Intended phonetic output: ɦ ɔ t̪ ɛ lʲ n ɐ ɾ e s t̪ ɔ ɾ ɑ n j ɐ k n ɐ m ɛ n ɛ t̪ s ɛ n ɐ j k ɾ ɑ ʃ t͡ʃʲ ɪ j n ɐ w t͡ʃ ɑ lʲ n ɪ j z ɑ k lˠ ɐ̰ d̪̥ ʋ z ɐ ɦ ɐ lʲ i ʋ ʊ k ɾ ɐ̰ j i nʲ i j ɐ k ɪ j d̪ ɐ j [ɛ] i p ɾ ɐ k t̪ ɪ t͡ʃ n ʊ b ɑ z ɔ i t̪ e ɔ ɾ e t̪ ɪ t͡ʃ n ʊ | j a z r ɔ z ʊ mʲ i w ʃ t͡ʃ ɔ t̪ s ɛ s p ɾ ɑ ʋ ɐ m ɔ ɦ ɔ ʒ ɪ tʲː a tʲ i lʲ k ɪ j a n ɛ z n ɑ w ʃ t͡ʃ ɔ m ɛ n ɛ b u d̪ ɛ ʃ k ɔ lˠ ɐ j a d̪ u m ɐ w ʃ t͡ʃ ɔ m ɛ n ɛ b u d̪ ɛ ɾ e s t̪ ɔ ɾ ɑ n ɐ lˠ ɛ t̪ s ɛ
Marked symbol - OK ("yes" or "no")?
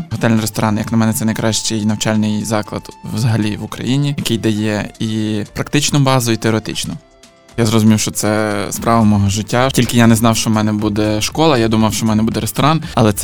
yes